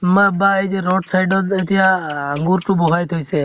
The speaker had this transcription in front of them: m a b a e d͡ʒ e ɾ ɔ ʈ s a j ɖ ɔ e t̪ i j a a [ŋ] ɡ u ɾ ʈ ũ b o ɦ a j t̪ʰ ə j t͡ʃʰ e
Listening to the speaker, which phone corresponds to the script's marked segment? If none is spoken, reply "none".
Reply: ŋ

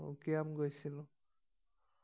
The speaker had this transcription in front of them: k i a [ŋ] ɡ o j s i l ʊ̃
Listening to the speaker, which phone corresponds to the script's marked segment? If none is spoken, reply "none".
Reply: m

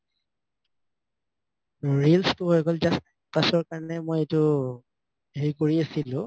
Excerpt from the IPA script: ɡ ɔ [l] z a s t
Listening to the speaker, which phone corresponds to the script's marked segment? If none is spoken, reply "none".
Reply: l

